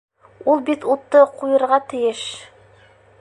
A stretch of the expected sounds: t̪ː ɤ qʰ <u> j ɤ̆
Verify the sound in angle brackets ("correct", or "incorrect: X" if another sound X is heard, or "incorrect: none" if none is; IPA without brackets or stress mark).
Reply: correct